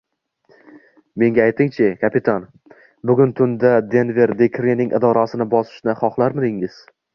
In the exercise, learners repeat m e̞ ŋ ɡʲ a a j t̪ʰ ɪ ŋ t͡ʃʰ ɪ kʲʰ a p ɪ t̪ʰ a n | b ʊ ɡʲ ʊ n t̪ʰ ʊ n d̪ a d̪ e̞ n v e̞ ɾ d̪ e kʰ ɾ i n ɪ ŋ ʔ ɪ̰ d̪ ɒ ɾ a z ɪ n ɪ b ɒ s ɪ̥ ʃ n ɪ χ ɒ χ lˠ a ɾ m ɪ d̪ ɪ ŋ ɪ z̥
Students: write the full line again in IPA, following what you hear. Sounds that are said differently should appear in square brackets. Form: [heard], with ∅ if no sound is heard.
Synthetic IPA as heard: m e̞ ŋ ɡʲ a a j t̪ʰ ɪ ŋ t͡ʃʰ ɪ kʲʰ a p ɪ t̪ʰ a n | b ʊ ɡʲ ʊ n t̪ʰ ʊ n d̪ a d̪ e̞ n v e̞ ɾ d̪ e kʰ ɾ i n ɪ ŋ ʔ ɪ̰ d̪ ɒ ɾ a [s] ɪ n ɪ b ɒ s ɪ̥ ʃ n ɪ χ ɒ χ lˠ a ɾ m ɪ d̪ ɪ ŋ ɪ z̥